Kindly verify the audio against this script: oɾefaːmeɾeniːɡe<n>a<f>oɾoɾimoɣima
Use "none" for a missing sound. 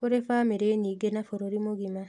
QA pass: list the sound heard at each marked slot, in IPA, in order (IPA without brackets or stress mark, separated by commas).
n, f